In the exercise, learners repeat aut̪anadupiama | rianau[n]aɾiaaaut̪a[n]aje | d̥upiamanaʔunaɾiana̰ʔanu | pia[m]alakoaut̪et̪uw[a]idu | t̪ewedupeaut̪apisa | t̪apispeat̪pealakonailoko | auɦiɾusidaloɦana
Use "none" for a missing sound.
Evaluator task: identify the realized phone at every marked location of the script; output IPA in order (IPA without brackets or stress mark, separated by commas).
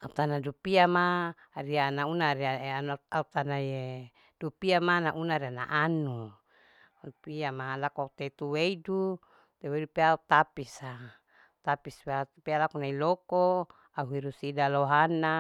n, n, m, e